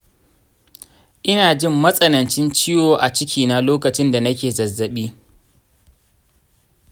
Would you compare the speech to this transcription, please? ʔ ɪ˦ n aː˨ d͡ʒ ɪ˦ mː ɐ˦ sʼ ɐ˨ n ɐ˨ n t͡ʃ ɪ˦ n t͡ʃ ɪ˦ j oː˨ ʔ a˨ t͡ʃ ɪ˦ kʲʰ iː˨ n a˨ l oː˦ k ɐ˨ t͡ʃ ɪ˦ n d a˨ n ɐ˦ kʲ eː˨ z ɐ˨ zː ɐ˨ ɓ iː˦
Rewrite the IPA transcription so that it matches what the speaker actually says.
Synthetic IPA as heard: ʔ ɪ˦ n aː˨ d͡ʒ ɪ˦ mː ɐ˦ sʼ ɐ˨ n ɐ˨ n t͡ʃ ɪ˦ n t͡ʃ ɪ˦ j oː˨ ʔ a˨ t͡ʃ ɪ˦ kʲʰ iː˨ n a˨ l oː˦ k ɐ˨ t͡ʃ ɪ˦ n d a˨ n ɐ˦ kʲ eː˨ z ɐ˨ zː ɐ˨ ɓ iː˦